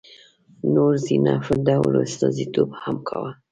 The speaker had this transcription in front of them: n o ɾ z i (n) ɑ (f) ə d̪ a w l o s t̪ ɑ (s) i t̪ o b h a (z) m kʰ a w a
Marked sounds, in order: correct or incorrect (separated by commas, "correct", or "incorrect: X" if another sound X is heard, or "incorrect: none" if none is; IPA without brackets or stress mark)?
correct, correct, incorrect: z, incorrect: none